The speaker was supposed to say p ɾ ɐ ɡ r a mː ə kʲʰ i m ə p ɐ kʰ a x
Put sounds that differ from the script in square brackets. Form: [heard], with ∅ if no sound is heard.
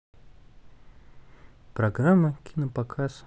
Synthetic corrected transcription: p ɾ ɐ ɡ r a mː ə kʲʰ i [n] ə p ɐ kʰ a [s]